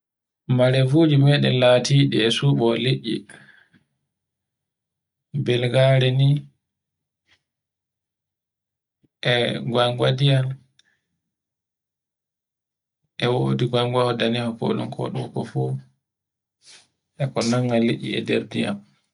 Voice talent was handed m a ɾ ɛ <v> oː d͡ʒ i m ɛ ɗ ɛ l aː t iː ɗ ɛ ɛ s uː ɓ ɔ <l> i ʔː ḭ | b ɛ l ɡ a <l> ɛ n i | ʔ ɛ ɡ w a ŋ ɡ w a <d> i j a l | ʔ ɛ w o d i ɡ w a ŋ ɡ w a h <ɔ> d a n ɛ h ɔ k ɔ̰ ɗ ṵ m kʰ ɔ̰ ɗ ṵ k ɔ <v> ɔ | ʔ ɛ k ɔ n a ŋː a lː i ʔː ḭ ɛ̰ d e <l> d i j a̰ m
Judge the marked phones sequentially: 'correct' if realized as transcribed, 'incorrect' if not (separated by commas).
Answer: correct, correct, incorrect, correct, correct, incorrect, incorrect